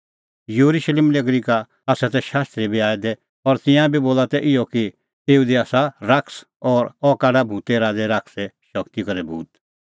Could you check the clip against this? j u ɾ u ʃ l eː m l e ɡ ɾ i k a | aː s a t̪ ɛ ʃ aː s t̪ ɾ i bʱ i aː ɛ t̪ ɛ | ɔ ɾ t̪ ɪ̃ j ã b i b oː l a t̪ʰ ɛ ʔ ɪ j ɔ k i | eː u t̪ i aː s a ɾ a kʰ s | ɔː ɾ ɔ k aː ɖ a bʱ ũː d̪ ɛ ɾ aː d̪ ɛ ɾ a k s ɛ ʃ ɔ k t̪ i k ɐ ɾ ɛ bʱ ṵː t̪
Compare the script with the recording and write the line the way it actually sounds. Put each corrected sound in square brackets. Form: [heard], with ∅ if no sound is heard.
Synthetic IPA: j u ɾ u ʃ l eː m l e ɡ ɾ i k a | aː s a t̪ ɛ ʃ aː s t̪ ɾ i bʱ i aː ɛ [d̪] ɛ | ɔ ɾ t̪ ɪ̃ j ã b i b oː l a [t̪] ɛ ʔ ɪ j ɔ k i | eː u [d̪] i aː s a ɾ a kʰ s | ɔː ɾ ɔ k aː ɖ a bʱ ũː [t̪] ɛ ɾ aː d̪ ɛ ɾ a k s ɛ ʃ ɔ k t̪ i k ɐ ɾ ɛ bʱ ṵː t̪